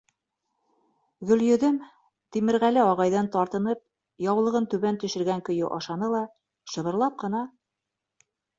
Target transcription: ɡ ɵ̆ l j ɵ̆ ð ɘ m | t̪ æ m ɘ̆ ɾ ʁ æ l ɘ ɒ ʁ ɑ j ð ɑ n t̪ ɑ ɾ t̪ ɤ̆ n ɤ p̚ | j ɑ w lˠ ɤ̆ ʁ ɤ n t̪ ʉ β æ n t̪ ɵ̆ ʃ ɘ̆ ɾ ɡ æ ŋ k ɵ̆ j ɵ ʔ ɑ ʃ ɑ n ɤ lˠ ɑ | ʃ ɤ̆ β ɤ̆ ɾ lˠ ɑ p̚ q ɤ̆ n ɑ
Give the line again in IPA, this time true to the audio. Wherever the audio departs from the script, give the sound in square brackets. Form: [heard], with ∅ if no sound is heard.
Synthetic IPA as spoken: ɡ ɵ̆ l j ɵ̆ ð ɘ m | t̪ [i] m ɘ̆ ɾ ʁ æ l ɘ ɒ ʁ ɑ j ð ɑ n t̪ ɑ ɾ t̪ ɤ̆ n ɤ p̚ | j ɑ w lˠ ɤ̆ ʁ ɤ n t̪ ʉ β æ n t̪ ɵ̆ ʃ ɘ̆ ɾ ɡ æ ŋ k ɵ̆ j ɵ ʔ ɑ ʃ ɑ n ɤ lˠ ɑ | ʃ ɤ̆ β ɤ̆ ɾ lˠ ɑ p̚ q ɤ̆ n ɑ